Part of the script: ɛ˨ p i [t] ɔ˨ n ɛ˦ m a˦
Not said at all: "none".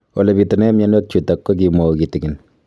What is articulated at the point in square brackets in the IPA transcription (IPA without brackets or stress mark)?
t